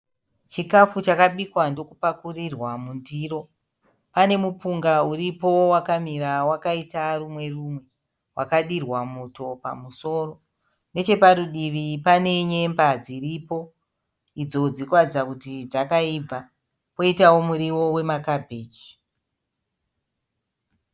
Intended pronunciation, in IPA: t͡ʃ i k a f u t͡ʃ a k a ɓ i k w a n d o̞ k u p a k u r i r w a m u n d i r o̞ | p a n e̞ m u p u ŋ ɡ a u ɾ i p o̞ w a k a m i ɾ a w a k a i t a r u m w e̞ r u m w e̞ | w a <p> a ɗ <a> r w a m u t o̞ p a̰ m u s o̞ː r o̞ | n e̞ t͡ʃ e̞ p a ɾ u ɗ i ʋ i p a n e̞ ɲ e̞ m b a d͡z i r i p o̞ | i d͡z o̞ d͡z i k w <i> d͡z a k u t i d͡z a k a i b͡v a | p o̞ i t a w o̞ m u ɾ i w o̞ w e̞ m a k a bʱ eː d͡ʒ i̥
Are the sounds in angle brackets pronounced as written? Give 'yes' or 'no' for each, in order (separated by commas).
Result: no, no, no